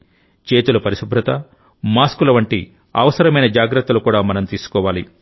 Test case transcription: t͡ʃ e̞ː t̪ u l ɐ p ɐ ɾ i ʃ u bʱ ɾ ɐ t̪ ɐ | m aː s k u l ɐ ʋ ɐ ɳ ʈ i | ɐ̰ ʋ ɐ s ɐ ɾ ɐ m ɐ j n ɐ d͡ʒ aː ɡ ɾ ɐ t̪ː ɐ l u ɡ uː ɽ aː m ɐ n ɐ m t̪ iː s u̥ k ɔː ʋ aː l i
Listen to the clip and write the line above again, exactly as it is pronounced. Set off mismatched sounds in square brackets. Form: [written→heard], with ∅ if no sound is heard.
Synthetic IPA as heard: t͡ʃ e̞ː t̪ u l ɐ p ɐ ɾ i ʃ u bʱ ɾ ɐ t̪ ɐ | m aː s k u l ɐ ʋ ɐ ɳ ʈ i | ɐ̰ ʋ ɐ s ɐ ɾ ɐ m ɐ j n ɐ d͡ʒ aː ɡ ɾ ɐ t̪ː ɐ l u [ɡ→k] uː ɽ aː m ɐ n ɐ m t̪ iː s u̥ k ɔː ʋ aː l i